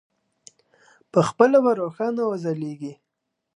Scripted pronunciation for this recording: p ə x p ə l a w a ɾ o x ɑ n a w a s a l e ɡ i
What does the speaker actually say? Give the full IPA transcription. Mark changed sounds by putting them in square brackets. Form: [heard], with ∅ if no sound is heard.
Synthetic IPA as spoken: p ə x p ə l a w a ɾ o x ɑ n a w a [z] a l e ɡ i